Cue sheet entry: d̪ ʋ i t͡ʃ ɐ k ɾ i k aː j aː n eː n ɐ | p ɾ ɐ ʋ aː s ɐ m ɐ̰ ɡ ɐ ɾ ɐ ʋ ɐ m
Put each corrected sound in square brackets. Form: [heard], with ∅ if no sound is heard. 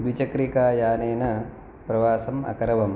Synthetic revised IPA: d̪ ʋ i t͡ʃ ɐ k ɾ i k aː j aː n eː n ɐ | p ɾ ɐ ʋ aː s ɐ m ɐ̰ [k] ɐ ɾ ɐ ʋ ɐ m